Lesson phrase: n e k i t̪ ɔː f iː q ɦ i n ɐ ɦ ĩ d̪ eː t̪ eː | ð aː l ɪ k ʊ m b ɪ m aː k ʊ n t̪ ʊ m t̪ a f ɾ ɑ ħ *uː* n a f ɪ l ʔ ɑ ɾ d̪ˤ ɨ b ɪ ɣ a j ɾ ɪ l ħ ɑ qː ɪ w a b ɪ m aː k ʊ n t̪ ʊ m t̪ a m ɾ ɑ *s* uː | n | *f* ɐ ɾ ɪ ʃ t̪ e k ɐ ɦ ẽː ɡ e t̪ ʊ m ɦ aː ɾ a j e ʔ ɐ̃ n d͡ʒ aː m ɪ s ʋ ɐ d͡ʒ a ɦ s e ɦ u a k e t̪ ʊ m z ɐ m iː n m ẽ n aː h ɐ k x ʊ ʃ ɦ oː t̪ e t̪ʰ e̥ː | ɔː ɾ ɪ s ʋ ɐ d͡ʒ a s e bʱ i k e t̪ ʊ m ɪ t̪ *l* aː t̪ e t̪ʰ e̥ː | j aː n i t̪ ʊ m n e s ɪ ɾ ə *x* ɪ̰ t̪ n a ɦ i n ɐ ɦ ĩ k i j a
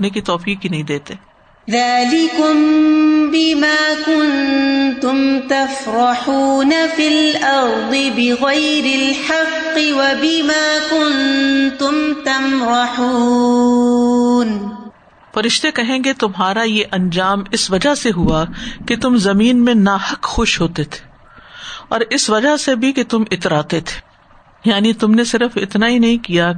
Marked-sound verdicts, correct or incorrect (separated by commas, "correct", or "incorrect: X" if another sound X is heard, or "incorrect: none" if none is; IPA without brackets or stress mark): correct, incorrect: ħ, correct, incorrect: ɾ, incorrect: f